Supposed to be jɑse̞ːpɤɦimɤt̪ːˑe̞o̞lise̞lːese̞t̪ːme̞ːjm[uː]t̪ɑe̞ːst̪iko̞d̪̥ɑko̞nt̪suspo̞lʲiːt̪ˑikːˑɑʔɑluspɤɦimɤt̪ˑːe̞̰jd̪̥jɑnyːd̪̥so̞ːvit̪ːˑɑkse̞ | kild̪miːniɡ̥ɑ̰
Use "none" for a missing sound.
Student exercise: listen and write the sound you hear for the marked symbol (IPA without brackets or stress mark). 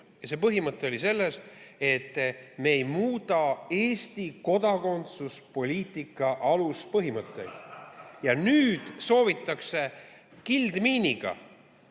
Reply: uː